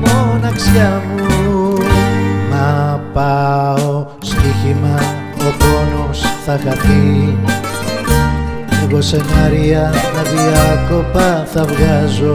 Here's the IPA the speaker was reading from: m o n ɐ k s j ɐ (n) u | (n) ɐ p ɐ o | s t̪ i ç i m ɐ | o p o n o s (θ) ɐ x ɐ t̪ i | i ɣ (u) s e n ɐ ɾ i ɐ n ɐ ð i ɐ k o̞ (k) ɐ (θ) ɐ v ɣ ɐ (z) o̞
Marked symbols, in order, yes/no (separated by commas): no, no, yes, no, no, yes, yes